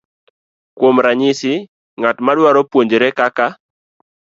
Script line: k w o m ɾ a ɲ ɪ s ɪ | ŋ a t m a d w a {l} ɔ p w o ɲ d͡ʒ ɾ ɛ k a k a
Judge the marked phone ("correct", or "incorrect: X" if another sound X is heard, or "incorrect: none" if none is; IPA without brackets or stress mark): incorrect: ɾ